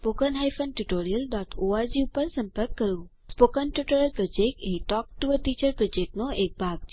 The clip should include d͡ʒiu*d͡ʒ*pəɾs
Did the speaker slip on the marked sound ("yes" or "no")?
yes